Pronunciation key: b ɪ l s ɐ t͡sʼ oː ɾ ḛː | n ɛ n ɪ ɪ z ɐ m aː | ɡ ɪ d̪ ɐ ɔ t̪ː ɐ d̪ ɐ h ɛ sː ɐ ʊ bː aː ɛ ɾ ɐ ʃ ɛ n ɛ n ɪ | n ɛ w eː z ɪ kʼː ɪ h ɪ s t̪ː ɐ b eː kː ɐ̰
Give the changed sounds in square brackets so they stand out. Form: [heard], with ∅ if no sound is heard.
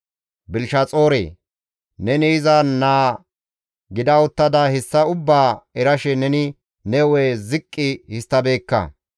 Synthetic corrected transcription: b ɪ l [ʃ] ɐ t͡sʼ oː ɾ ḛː | n ɛ n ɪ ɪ z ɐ [n] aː | ɡ ɪ d̪ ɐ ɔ t̪ː ɐ d̪ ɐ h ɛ sː ɐ ʊ bː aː ɛ ɾ ɐ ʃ ɛ n ɛ n ɪ | n ɛ w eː z ɪ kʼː ɪ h ɪ s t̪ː ɐ b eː kː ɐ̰